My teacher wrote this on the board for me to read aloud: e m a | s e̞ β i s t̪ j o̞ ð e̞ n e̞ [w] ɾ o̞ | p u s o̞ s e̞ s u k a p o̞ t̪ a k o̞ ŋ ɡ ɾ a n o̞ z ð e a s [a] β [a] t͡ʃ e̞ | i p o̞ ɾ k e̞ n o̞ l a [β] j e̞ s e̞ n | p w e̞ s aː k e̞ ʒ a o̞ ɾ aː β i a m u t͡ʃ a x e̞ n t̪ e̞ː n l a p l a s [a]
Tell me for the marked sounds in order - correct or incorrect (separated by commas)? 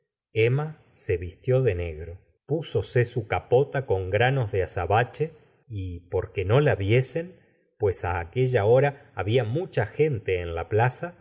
incorrect, correct, correct, correct, correct